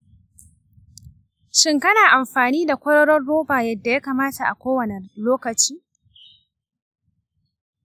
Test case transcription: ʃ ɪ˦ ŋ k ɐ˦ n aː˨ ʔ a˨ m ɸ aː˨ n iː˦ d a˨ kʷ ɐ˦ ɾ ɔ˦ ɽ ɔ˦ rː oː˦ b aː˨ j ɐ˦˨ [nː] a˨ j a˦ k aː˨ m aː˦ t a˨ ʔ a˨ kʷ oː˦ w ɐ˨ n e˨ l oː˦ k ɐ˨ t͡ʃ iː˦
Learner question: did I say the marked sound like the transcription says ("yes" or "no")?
no